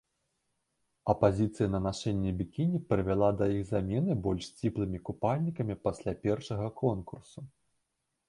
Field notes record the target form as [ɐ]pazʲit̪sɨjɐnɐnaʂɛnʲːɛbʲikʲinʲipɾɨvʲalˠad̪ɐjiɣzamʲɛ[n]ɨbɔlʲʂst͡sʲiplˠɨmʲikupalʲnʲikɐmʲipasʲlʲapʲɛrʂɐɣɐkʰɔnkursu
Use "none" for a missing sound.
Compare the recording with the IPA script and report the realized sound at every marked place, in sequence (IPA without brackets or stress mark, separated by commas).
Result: ɐ, n